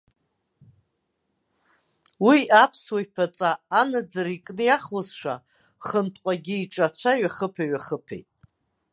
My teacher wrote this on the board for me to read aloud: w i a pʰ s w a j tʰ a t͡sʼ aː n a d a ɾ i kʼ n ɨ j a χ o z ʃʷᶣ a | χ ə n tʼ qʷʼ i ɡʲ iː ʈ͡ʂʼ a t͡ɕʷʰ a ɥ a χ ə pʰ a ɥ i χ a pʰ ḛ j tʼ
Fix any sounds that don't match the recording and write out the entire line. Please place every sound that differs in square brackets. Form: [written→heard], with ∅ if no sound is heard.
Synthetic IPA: w i a pʰ s w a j [tʰ→pʰ] a t͡sʼ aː n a [d→d͡z] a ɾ i kʼ n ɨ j a χ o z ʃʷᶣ a | χ ə n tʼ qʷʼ [i→a] ɡʲ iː ʈ͡ʂʼ a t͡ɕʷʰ a ɥ a χ ə pʰ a ɥ [i→a] χ [a→ə] pʰ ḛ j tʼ